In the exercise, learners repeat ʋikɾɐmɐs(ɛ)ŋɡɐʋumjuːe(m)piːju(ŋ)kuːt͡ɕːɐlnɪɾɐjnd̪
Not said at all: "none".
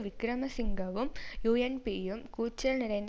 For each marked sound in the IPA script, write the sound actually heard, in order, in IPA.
i, n, m

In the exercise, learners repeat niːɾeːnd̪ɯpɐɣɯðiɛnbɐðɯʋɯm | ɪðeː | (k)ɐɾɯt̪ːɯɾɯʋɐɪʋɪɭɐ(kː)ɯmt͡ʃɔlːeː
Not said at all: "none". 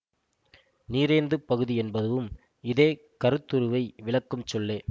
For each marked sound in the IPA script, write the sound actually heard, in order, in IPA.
k, kː

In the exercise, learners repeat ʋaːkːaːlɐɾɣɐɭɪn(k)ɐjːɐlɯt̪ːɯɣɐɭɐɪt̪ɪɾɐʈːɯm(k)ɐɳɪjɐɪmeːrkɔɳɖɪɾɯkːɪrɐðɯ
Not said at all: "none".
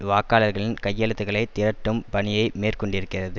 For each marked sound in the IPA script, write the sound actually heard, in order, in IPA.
k, p

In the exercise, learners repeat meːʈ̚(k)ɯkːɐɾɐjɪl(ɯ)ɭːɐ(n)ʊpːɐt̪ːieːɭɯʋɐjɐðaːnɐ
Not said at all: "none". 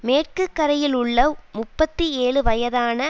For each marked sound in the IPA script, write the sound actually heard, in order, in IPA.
k, ʊ, m

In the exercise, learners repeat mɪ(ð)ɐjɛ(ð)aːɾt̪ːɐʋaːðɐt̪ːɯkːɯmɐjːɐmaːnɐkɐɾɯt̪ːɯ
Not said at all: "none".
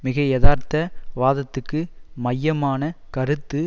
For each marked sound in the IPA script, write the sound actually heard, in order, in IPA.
ɣ, ð

